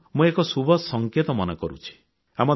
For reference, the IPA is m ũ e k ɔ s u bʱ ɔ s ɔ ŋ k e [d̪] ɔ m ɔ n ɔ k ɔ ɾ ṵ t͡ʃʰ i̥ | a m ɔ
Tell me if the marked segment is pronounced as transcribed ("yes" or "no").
no